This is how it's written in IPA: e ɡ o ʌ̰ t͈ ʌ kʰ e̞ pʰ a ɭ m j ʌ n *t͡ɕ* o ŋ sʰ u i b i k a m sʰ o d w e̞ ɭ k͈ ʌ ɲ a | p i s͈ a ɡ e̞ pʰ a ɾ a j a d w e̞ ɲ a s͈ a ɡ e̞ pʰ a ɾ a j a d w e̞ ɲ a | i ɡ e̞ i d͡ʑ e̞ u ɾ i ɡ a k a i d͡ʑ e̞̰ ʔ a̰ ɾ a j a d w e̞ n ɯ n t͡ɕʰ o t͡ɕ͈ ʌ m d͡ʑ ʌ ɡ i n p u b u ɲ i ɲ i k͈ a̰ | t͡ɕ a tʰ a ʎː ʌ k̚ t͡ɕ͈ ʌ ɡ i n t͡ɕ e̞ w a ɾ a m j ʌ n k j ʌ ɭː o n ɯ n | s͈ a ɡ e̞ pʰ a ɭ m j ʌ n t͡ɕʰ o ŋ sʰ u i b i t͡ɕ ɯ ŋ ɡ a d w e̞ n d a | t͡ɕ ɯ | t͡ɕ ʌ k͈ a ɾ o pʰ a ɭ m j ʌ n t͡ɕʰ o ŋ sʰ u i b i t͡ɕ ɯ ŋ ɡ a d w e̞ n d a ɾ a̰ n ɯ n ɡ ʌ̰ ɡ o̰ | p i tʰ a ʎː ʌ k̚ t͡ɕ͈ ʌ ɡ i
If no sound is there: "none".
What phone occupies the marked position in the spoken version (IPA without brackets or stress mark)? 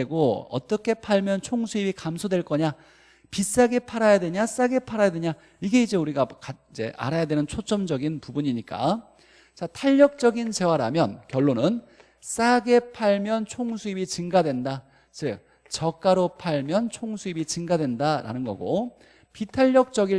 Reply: t͡ɕʰ